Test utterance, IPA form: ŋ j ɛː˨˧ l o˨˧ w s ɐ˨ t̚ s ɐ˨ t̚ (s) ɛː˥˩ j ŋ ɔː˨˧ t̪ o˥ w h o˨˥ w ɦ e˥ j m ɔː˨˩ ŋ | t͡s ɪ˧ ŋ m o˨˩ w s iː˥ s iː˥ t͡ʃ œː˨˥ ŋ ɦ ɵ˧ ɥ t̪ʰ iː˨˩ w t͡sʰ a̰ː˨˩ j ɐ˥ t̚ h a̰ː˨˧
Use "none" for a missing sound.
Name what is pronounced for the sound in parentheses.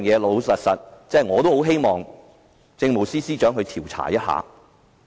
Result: t͡s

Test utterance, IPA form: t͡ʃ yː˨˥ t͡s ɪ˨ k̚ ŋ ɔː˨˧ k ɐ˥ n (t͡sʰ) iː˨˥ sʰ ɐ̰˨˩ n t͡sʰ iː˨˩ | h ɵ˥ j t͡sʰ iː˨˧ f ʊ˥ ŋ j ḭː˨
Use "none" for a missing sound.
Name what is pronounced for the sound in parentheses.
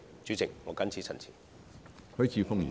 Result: t͡sʰ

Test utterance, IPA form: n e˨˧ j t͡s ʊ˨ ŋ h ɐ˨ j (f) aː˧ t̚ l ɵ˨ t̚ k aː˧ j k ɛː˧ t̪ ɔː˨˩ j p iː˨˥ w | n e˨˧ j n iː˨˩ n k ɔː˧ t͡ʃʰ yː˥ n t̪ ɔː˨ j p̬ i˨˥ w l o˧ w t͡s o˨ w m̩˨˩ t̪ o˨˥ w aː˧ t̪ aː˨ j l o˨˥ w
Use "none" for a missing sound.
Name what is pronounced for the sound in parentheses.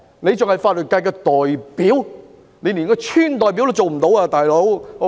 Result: f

